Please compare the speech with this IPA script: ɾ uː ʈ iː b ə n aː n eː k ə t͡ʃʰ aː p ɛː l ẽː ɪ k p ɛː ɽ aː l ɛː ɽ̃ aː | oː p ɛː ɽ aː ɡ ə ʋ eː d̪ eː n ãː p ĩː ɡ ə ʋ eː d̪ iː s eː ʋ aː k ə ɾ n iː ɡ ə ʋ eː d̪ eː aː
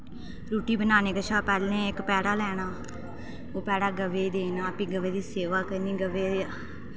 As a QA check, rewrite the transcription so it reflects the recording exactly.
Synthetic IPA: ɾ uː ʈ iː b ə n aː n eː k ə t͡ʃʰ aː p ɛː l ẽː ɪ k p ɛː ɽ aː l ɛː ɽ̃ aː | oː p ɛː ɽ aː ɡ ə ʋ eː d̪ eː n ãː p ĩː ɡ ə ʋ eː d̪ iː s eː ʋ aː k ə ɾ n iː ɡ ə ʋ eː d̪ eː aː